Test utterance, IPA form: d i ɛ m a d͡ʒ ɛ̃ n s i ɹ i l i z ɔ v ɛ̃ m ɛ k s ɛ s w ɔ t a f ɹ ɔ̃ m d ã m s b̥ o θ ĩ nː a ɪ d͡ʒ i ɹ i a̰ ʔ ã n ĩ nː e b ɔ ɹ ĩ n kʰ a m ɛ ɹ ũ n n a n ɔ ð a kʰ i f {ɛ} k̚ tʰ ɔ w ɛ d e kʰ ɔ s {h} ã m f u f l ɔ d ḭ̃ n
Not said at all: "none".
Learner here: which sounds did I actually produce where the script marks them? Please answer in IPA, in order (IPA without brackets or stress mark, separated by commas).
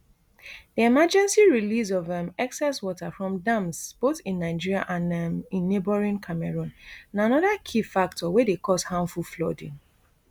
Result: a, h